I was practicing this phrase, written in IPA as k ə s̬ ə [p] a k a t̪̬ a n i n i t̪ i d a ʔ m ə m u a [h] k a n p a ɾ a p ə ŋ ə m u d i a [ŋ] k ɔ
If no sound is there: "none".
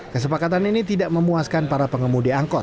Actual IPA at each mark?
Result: p, s, ŋ

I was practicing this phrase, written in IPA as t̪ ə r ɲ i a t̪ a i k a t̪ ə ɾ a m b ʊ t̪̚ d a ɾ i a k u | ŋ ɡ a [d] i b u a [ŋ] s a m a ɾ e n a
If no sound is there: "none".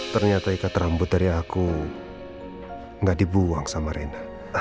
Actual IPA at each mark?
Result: d, ŋ

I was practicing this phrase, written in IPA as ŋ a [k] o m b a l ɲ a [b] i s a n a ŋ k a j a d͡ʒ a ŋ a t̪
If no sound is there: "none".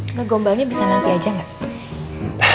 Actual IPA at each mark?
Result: ɡ, b

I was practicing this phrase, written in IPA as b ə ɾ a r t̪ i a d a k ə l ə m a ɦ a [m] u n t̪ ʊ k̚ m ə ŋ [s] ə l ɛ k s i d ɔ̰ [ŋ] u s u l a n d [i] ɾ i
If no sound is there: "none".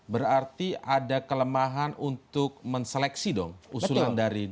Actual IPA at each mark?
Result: n, s, ŋ, a

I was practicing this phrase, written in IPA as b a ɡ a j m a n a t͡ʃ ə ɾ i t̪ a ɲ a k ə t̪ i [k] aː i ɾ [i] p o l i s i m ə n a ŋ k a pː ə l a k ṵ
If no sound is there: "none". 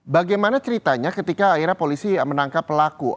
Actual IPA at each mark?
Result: k, a

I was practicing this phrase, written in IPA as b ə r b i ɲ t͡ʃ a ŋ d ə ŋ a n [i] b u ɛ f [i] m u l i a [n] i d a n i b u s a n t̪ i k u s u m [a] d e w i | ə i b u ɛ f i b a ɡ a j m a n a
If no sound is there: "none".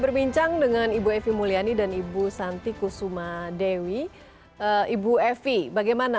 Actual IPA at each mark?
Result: i, i, n, a

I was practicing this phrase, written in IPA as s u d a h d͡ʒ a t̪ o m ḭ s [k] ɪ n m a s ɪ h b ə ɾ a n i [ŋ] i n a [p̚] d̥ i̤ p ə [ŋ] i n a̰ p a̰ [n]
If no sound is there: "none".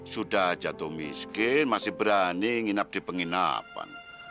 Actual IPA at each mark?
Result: k, ŋ, p̚, ŋ, n

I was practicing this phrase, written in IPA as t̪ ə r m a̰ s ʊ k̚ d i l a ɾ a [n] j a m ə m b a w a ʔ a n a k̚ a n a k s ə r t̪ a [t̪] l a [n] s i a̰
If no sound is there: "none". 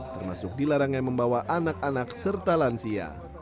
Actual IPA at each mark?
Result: ŋ, none, n

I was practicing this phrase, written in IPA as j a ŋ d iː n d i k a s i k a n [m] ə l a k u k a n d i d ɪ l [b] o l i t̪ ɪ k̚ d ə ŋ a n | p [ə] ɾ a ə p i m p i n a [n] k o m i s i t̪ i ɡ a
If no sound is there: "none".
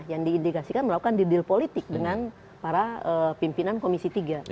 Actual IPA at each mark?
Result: m, p, a, n

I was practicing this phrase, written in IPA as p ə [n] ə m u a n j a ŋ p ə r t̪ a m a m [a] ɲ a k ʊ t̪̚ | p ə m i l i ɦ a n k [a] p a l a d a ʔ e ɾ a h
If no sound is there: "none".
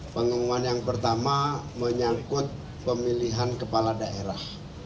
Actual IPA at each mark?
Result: ŋ, ə, ə

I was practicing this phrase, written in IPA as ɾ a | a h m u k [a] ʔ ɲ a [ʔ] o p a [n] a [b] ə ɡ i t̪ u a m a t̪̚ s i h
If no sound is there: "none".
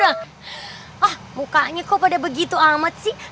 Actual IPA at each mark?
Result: a, k, d, b

